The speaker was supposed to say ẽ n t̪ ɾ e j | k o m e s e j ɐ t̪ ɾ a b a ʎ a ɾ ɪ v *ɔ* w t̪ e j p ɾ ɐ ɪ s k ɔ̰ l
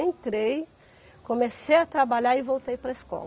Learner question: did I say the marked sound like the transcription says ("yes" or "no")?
no